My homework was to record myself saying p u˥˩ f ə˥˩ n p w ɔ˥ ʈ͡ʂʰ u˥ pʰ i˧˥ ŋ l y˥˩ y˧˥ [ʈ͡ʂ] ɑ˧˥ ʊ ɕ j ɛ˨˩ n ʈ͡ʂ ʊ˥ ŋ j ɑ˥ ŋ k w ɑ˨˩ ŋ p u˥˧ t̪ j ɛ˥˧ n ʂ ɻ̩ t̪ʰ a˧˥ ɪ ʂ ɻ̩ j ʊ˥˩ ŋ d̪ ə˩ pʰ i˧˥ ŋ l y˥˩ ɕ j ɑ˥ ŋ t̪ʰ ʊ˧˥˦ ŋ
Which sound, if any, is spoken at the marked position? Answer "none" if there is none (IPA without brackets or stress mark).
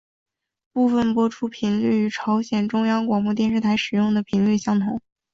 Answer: ʈ͡ʂʰ